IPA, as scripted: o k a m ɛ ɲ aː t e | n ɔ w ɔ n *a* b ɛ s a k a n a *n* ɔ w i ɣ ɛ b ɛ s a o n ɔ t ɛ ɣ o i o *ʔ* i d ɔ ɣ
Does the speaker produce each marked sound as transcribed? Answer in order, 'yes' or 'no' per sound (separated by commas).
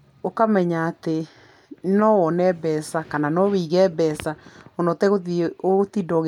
no, yes, no